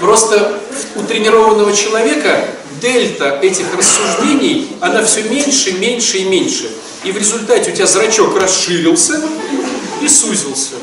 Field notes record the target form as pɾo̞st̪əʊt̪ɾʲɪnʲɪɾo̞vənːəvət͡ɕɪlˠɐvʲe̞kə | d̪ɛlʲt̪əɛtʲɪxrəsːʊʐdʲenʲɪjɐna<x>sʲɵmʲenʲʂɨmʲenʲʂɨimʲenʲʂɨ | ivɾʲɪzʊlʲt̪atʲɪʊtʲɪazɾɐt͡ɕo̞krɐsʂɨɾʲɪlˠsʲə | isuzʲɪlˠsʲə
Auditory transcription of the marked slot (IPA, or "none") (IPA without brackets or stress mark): f